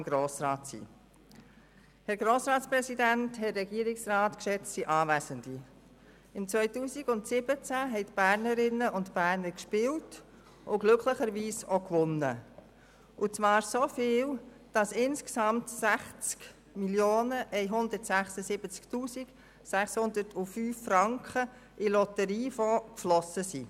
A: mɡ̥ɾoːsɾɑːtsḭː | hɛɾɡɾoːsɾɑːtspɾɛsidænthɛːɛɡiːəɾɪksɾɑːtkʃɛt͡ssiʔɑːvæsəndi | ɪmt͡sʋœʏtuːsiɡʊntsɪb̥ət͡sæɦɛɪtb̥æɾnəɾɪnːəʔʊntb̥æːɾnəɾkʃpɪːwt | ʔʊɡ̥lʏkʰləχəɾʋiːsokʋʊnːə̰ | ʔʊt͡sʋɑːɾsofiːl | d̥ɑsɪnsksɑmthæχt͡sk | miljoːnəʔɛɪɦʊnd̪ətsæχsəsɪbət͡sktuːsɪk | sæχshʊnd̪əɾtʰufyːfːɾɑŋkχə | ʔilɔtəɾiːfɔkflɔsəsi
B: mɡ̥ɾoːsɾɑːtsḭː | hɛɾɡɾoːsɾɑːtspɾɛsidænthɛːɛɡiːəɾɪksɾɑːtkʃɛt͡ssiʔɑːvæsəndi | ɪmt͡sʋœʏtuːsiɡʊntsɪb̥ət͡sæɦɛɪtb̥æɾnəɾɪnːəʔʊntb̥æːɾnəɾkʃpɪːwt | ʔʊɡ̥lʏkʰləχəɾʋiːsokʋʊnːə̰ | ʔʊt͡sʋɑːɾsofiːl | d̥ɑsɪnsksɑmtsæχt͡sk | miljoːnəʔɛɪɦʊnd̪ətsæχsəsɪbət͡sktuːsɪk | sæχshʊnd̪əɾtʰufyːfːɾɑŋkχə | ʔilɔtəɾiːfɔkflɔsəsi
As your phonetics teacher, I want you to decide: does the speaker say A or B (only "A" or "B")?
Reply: B